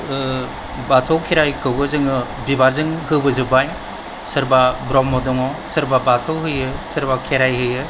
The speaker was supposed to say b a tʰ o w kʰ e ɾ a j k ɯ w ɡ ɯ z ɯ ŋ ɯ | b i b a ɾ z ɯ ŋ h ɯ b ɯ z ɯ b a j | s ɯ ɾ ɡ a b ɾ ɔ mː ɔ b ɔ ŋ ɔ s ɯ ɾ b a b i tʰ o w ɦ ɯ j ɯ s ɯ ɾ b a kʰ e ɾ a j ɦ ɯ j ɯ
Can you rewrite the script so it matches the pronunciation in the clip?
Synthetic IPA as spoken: b a tʰ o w kʰ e ɾ a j k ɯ w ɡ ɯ z ɯ ŋ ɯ | b i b a ɾ z ɯ ŋ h ɯ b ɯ z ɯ b a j | s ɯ ɾ b a b ɾ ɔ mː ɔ d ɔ ŋ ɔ s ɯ ɾ b a b a tʰ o w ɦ ɯ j ɯ s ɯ ɾ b a kʰ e ɾ a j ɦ ɯ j ɯ